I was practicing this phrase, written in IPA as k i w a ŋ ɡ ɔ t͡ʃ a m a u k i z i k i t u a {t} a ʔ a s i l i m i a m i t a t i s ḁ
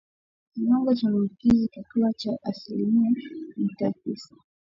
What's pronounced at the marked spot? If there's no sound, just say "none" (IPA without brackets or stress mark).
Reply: t͡ʃ